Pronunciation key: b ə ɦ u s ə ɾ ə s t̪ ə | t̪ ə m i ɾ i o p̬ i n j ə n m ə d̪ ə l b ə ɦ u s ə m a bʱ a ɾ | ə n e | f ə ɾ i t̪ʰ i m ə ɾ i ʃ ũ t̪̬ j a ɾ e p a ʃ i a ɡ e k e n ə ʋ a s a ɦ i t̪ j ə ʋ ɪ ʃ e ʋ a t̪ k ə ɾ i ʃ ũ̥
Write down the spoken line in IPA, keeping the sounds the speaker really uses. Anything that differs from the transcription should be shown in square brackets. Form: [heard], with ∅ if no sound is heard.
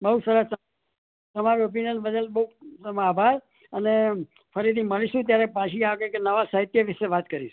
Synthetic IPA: b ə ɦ u s ə ɾ ə s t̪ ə | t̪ ə m [a] ɾ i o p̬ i n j ə n [b] ə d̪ ə l b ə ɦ u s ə m a bʱ a ɾ | ə n e | f ə ɾ i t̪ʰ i m ə [ɭ] i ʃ ũ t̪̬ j a ɾ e p a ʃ i a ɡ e k e n ə ʋ a s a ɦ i t̪ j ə ʋ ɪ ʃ e ʋ a t̪ k ə ɾ i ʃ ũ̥